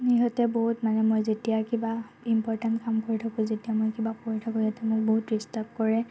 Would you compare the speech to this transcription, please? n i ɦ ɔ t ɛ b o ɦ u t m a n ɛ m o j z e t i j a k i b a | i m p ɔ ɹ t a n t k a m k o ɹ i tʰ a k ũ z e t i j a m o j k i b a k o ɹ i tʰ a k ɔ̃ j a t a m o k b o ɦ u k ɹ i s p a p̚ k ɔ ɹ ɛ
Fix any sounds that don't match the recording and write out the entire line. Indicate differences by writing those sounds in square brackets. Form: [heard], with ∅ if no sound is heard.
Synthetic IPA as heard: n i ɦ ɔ t ɛ b o ɦ u t m a n ɛ m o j z e t i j a k i b a | i m p ɔ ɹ t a n t k a m k o ɹ i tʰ a k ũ z e t i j a m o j k i b a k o ɹ i tʰ a k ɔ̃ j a t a m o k b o ɦ u [t] ɹ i s [t] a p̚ k ɔ ɹ ɛ